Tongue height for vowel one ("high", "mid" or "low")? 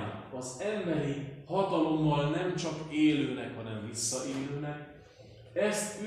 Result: low